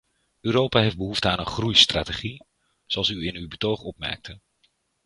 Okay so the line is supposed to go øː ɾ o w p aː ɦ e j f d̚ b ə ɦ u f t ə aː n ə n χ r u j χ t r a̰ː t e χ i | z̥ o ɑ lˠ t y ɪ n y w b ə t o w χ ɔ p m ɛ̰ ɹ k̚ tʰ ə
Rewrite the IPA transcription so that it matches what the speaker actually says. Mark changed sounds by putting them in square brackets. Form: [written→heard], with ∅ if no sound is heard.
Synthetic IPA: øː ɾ o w p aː ɦ e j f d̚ b ə ɦ u f t ə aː n ə n χ r u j [χ→s] t r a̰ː t e χ i | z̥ o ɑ lˠ [t→s] y ɪ n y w b ə t o w χ ɔ p m ɛ̰ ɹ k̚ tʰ ə